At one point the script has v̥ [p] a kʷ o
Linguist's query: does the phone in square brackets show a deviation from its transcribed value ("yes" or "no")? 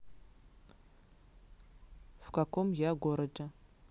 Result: yes